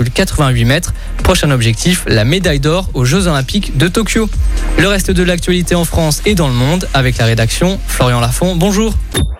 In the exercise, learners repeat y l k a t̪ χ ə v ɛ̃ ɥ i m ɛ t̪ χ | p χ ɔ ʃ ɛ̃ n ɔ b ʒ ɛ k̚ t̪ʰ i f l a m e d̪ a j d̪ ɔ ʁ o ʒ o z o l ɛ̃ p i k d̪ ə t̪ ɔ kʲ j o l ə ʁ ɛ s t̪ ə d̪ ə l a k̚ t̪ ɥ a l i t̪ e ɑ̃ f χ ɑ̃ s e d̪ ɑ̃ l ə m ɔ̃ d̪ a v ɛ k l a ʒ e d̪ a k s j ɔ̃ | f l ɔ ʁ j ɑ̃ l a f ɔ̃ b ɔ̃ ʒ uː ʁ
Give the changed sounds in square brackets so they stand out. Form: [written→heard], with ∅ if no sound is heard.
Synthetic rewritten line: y l k a t̪ χ ə v ɛ̃ ɥ i m ɛ t̪ χ | p χ ɔ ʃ ɛ̃ n ɔ b ʒ ɛ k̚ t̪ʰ i f l a m e d̪ a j d̪ ɔ ʁ o ʒ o z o l ɛ̃ p i k d̪ ə t̪ ɔ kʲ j o l ə ʁ ɛ s t̪ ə d̪ ə l a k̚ t̪ ɥ a l i t̪ e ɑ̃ f χ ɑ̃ s e d̪ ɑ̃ l ə m ɔ̃ d̪ a v ɛ k l a [ʒ→ʁ] e d̪ a k s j ɔ̃ | f l ɔ ʁ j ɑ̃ l a f ɔ̃ b ɔ̃ ʒ uː ʁ